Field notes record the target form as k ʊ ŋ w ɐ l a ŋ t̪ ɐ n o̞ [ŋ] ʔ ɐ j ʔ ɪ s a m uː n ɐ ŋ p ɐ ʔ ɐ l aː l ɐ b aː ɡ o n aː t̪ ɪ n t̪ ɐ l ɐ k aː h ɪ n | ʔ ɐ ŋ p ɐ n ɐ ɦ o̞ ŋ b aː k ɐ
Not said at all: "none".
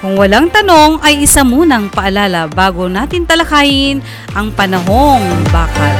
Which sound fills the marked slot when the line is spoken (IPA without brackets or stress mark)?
ŋ